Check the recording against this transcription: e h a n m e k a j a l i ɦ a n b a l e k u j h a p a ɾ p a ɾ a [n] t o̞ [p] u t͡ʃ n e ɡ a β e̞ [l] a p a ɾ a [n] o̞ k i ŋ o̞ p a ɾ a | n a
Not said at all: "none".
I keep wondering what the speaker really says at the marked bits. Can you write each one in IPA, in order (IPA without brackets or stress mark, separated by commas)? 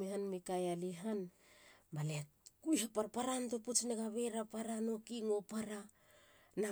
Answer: n, p, ɾ, n